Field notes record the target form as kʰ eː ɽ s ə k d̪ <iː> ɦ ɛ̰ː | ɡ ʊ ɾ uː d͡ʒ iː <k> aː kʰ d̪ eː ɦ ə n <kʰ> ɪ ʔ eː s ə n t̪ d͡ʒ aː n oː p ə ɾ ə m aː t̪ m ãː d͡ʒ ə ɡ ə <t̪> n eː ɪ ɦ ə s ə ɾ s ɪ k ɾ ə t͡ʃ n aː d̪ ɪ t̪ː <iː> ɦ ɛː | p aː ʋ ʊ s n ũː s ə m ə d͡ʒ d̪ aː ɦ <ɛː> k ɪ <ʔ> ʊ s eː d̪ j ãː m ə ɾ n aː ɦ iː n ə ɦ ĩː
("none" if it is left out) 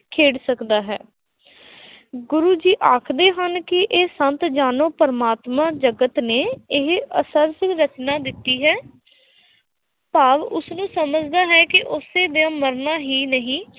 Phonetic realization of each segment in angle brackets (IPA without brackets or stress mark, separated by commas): aː, ʔ, k, t̪, iː, ɛː, ʔ